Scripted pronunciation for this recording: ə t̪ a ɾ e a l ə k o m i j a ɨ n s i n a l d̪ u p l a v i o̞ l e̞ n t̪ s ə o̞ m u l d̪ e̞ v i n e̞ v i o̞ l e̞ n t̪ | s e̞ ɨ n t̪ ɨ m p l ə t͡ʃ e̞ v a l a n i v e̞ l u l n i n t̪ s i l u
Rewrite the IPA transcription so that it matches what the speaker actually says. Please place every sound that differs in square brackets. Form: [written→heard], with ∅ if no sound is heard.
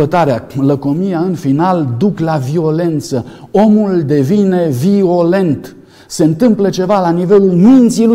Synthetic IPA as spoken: ə t̪ a ɾ e a l ə k o m i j a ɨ n [s→f] i n a l d̪ u [p→k] l a v i o̞ l e̞ n t̪ s ə o̞ m u l d̪ e̞ v i n e̞ v i o̞ l e̞ n t̪ | s e̞ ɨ n t̪ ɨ m p l ə t͡ʃ e̞ v a l a n i v e̞ l u l [n→m] i n t̪ s i l u